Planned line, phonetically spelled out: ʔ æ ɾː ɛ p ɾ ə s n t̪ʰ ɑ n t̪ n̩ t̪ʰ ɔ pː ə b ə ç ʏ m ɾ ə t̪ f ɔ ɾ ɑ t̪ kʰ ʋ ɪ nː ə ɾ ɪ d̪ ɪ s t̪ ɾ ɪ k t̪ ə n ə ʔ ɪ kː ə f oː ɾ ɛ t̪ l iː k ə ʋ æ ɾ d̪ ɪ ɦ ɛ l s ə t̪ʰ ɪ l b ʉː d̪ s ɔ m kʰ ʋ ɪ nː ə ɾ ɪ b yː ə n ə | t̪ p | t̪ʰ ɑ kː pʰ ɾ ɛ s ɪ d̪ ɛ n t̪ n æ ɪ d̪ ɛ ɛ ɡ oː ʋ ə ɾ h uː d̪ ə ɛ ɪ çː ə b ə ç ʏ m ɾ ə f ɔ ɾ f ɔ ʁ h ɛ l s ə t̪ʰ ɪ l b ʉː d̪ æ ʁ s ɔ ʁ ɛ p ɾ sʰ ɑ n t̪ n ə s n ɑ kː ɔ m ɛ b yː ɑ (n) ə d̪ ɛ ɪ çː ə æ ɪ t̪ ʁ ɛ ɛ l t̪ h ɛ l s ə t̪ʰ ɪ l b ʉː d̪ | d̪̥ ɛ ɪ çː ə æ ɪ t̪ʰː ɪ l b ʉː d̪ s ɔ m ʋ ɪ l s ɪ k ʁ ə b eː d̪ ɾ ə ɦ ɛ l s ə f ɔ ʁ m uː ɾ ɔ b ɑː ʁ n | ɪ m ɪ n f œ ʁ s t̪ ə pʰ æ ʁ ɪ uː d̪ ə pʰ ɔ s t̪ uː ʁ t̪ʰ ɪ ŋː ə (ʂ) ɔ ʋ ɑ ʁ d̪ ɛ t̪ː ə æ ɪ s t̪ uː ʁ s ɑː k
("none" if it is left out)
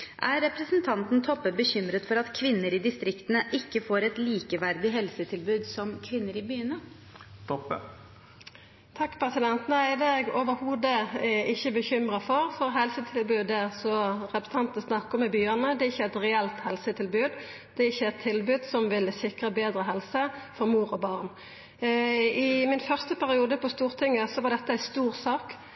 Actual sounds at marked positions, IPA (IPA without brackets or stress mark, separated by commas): n, s